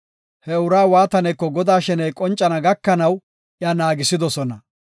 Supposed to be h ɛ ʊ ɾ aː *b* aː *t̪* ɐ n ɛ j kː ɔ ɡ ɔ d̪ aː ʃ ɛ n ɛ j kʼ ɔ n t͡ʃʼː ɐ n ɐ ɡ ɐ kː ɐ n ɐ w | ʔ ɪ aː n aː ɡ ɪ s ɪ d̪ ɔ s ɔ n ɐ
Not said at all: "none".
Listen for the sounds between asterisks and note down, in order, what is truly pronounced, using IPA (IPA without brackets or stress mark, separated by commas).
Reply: w, t̪